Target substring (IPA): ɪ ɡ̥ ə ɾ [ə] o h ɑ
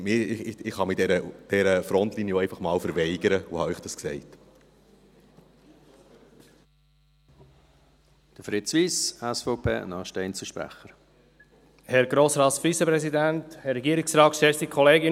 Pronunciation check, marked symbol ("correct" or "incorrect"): correct